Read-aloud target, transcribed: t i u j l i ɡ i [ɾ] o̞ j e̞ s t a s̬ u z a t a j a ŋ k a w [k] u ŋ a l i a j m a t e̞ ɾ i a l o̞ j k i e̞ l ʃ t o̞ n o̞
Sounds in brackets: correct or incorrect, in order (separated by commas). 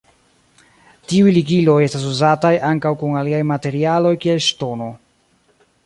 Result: incorrect, correct